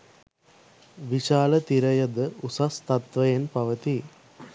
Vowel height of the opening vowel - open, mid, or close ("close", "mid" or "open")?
close